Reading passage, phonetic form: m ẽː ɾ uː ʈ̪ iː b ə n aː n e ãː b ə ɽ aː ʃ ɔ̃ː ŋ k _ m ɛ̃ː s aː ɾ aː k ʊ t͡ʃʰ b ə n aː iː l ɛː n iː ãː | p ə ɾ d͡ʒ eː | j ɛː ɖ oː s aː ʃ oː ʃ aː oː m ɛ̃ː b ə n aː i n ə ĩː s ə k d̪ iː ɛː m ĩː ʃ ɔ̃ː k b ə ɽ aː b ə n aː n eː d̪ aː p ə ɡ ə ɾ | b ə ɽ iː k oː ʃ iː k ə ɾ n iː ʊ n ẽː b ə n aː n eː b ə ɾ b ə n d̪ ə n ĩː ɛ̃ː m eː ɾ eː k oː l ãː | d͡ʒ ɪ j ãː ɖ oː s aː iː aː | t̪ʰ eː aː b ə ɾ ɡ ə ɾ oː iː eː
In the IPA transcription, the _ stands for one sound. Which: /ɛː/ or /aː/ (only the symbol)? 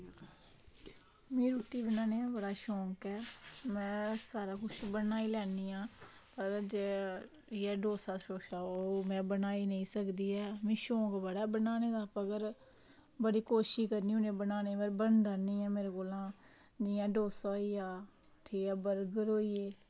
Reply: ɛː